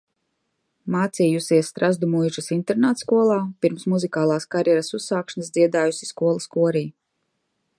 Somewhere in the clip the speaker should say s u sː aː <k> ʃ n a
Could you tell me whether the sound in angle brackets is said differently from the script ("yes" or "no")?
no